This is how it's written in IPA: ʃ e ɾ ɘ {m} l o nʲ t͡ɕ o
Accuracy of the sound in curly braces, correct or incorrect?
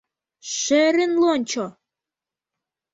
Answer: incorrect